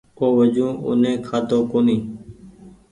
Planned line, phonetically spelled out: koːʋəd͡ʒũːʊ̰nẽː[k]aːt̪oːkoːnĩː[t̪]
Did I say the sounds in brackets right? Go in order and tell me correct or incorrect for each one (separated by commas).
incorrect, incorrect